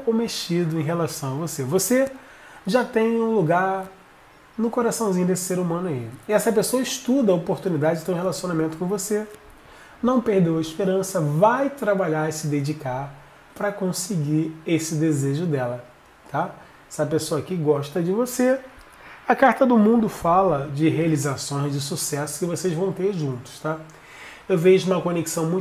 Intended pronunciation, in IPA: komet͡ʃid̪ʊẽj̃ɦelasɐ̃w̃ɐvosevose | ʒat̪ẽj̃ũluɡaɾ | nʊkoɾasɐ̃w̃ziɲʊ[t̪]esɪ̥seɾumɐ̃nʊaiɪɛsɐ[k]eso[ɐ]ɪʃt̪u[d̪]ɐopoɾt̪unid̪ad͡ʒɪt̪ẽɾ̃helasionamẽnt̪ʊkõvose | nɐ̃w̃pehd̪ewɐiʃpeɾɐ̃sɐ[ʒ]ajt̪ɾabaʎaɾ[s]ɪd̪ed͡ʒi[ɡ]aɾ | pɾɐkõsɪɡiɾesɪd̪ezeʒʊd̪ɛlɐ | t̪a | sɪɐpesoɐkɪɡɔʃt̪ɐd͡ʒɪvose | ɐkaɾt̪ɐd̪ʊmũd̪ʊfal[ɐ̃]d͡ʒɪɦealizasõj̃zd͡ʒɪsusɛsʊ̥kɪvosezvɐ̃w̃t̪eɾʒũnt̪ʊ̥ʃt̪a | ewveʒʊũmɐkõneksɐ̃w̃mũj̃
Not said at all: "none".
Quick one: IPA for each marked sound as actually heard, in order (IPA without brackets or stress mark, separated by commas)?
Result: d̪, p, ɐ, d̪, v, s, k, ɐ